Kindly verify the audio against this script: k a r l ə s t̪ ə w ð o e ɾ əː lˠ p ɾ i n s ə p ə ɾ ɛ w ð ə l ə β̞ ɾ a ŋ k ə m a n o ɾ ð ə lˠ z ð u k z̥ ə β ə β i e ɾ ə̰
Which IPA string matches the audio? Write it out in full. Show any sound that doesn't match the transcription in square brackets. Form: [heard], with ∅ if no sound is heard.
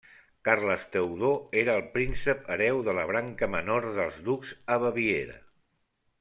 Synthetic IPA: k a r l ə s t̪ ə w ð o e ɾ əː lˠ p ɾ i n s ə p ə ɾ ɛ w ð ə l ə β̞ ɾ a ŋ k ə m [ə] n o ɾ ð ə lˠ z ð u k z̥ ə β ə β i e ɾ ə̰